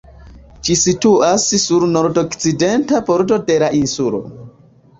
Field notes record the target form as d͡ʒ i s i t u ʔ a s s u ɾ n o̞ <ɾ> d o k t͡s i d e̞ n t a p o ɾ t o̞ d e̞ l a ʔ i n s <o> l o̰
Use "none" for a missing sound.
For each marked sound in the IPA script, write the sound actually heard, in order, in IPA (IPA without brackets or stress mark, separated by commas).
ɾ, u